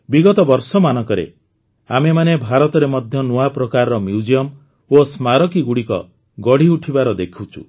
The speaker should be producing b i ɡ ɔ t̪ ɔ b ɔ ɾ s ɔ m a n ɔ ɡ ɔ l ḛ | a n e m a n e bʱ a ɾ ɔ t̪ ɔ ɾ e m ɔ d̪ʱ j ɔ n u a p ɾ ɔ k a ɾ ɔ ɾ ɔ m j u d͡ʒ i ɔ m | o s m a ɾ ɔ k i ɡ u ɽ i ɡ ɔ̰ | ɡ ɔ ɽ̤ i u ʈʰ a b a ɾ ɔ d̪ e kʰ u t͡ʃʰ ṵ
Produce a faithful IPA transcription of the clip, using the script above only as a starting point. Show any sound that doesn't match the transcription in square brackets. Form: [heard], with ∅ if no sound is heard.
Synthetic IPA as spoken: b i ɡ ɔ t̪ ɔ b ɔ ɾ s ɔ m a n ɔ [k] ɔ [ɾ] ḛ | a [m] e m a n e bʱ a ɾ ɔ t̪ ɔ ɾ e m ɔ d̪ʱ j ɔ n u a p ɾ ɔ k a ɾ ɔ ɾ ɔ m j u d͡ʒ i ɔ m | o s m a ɾ ɔ k i ɡ u ɽ i [k] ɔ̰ | ɡ ɔ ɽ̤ i u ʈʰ [i] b a ɾ ɔ d̪ e kʰ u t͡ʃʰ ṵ